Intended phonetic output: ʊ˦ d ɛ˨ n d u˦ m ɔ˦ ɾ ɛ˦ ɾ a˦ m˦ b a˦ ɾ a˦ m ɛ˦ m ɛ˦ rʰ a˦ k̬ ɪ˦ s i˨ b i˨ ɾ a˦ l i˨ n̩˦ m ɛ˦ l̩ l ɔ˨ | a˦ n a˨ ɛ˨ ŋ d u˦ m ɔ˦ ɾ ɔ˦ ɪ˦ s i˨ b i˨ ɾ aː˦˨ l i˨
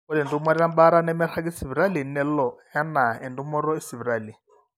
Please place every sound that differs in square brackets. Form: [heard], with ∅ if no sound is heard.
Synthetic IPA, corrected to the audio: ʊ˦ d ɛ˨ n d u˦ m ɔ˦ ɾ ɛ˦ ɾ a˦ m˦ b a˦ ɾ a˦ [n] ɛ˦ m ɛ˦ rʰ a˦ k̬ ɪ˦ s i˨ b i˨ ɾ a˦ l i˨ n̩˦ [n] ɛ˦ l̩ l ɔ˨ | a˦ n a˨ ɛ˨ [n] d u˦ m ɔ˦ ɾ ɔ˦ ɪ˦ s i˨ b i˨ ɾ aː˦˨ l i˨